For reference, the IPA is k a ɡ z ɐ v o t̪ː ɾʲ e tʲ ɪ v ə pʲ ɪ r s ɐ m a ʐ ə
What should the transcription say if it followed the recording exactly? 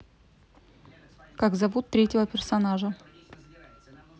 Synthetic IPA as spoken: k a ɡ z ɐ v u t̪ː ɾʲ e tʲ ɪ v ə pʲ ɪ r s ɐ n a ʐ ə